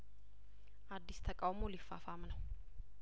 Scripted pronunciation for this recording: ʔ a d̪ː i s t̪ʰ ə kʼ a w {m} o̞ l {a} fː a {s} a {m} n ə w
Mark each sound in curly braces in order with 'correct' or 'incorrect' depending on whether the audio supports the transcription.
correct, incorrect: i, incorrect: f, correct

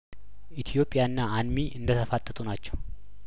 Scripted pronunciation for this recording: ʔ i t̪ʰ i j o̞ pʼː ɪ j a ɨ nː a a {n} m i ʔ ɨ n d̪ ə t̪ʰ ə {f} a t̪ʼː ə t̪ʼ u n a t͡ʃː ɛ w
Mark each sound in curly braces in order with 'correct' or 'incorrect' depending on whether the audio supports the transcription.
correct, correct

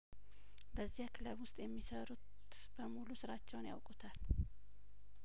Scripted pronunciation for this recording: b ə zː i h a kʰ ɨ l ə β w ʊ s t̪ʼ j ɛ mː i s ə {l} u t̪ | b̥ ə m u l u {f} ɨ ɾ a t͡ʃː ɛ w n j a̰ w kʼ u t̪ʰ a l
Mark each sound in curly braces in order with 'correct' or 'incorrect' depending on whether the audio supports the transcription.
incorrect: ɾ, incorrect: s

